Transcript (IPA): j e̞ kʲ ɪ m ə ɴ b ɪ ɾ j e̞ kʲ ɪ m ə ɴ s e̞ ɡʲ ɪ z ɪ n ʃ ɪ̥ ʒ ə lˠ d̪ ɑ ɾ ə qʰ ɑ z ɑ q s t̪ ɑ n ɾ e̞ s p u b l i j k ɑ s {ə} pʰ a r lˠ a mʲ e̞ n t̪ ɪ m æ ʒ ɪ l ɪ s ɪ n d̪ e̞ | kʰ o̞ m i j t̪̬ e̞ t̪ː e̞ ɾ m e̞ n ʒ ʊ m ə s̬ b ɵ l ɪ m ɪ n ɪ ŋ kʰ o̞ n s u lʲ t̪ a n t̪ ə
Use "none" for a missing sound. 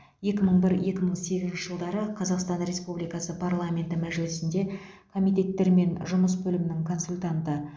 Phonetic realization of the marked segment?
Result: ə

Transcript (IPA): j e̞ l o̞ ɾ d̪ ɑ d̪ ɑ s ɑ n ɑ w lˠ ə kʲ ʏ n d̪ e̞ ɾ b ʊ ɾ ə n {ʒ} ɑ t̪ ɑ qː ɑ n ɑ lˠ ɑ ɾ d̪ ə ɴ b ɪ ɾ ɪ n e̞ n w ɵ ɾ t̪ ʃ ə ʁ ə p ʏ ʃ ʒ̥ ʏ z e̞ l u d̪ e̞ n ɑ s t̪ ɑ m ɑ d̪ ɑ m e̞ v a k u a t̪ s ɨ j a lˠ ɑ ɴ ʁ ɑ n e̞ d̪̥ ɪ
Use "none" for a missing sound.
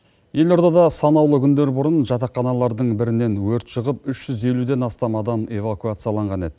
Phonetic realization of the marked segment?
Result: ʒ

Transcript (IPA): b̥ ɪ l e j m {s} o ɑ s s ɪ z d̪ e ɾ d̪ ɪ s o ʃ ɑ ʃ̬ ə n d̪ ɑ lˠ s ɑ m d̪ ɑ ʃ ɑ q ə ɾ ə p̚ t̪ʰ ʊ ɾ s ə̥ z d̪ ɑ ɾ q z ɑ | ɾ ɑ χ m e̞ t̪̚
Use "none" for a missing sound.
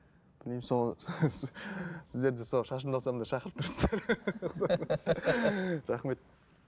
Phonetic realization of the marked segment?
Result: s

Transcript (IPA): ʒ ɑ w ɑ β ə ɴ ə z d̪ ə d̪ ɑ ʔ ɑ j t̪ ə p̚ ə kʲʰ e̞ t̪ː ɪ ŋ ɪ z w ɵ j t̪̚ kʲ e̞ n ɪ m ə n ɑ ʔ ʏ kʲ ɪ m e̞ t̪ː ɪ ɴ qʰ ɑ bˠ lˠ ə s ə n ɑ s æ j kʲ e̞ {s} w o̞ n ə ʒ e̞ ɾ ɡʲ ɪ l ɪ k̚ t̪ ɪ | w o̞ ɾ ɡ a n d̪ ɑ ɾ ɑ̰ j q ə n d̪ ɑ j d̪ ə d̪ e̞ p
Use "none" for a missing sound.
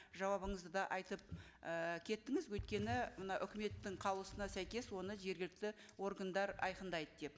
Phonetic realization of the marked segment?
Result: s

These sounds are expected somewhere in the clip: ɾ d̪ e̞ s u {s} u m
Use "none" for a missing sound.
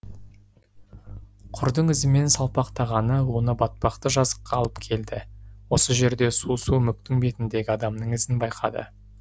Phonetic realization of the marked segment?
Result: s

